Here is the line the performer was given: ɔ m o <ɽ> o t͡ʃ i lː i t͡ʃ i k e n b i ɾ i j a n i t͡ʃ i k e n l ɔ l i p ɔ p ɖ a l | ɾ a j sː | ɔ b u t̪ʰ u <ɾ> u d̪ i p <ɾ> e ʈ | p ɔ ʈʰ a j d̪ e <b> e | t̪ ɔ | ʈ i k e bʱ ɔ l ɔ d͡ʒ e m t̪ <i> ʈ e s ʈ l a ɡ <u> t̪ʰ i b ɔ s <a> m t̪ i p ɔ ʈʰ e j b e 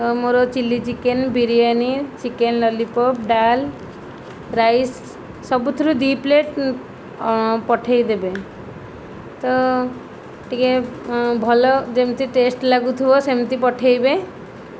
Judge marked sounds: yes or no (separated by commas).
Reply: no, yes, no, yes, yes, yes, no